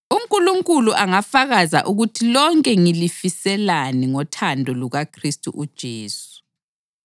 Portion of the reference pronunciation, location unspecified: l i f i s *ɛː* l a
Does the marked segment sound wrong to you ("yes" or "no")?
yes